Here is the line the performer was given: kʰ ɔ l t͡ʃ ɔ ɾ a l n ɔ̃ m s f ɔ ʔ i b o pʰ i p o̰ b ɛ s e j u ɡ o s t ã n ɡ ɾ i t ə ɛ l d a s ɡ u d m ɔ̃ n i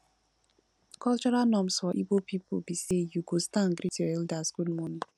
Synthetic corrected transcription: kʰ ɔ l t͡ʃ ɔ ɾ a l n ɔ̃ m s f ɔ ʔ i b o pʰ i p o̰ b i s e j u ɡ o s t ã n ɡ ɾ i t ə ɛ l d a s ɡ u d m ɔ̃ n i